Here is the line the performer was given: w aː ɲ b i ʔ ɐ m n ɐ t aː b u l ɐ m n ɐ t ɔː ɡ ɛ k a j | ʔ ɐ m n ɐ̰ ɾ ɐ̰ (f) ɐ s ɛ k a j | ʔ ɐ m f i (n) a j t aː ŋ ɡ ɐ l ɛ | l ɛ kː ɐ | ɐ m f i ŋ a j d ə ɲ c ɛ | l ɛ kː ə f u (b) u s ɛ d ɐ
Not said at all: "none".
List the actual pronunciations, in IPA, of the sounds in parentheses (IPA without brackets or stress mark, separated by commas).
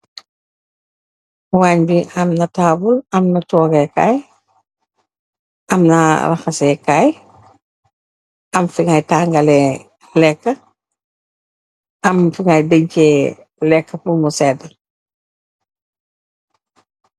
x, ŋ, m